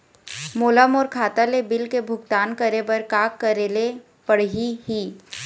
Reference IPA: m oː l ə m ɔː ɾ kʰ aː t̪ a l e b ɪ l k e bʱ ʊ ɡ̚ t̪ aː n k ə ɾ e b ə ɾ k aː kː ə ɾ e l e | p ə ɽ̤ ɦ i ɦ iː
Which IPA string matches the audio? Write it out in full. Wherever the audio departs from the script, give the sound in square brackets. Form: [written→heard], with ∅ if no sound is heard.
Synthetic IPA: m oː l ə m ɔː ɾ kʰ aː t̪ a l e b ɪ l k e bʱ ʊ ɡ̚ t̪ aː n k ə ɾ e b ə ɾ k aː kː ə ɾ e l e | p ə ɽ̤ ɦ i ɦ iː